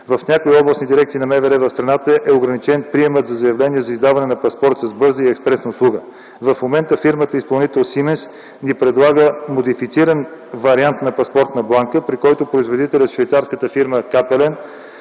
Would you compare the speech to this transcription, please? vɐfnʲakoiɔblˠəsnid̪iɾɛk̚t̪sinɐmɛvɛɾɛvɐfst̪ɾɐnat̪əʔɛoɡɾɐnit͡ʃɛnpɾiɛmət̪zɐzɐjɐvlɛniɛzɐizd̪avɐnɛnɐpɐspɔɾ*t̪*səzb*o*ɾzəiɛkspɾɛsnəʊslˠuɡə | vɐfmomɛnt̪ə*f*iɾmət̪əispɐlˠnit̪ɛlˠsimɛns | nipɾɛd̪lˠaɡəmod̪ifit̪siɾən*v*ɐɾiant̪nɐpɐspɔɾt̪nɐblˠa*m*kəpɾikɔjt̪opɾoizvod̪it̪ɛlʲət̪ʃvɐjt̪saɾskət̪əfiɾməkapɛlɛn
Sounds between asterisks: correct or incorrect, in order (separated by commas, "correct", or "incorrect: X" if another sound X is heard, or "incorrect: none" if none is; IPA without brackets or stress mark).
correct, incorrect: ɤ, correct, correct, incorrect: ŋ